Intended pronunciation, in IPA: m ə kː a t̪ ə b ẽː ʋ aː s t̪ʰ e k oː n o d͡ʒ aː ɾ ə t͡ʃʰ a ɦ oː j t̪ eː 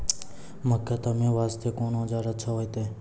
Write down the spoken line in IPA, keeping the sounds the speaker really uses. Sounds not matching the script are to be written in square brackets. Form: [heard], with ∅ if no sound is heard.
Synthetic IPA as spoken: m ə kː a t̪ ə [m] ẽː ʋ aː s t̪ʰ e k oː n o d͡ʒ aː ɾ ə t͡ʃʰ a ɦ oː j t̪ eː